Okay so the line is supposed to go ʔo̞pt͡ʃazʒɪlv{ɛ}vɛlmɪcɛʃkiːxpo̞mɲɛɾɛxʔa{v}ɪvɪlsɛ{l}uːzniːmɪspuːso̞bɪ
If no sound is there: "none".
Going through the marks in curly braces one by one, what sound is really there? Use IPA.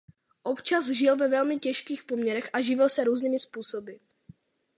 ɛ, ʒ, ɾ

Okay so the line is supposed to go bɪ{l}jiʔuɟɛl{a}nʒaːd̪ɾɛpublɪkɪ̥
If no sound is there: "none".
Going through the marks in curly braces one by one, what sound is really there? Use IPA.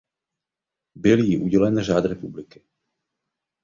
l, ɛ

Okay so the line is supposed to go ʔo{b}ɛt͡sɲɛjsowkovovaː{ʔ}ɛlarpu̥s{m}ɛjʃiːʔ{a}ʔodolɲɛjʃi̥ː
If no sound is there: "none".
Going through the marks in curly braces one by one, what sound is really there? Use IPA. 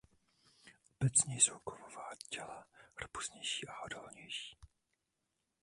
b, c, ɲ, a

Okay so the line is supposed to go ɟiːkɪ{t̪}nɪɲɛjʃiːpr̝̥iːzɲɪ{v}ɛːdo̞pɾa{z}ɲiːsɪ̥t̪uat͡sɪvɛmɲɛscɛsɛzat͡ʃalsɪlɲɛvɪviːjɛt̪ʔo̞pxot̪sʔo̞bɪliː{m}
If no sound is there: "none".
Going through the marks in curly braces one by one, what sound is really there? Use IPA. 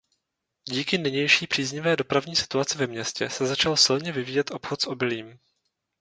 none, v, v, m

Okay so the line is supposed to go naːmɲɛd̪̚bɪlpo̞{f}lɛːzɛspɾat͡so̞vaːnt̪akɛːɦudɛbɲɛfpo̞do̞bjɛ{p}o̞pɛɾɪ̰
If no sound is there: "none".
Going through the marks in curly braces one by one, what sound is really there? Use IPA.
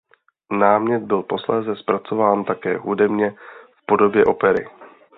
s, ʔ

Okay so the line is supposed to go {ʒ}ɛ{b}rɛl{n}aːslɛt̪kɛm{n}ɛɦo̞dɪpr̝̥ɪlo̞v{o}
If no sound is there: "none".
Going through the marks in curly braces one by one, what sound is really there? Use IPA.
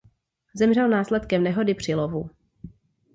z, m, n, n, u

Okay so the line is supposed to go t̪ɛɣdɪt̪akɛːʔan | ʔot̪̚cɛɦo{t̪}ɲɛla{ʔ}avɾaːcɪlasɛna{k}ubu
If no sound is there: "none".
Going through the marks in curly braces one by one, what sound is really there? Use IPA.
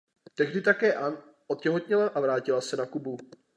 t̪, ʔ, k

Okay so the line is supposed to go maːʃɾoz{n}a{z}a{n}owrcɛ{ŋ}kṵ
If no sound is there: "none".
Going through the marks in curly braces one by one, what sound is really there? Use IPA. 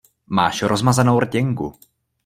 m, z, n, ŋ

